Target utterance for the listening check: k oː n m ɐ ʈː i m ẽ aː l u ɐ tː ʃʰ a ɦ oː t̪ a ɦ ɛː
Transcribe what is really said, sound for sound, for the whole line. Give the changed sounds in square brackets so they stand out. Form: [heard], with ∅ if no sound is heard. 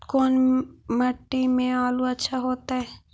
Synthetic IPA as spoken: k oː n m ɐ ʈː i m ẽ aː l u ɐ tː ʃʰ a ɦ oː t̪ a ɦ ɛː